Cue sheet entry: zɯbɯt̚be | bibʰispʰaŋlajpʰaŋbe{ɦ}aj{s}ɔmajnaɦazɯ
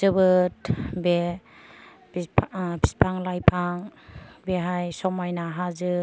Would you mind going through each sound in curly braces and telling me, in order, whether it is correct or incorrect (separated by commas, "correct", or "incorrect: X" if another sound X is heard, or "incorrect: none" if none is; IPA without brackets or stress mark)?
correct, correct